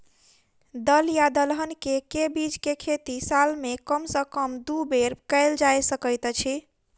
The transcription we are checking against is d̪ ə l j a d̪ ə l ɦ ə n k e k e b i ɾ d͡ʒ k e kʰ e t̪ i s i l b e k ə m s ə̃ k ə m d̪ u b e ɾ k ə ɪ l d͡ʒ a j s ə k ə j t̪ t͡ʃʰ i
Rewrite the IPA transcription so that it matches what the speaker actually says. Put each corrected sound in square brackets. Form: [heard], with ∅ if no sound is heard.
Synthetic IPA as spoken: d̪ ə l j a d̪ ə l ɦ ə n k e k e b i [∅] d͡ʒ k e kʰ e t̪ i s [a] l [m] e k ə m s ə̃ k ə m d̪ u b e ɾ k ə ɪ l d͡ʒ a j s ə k ə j t̪ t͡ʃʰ i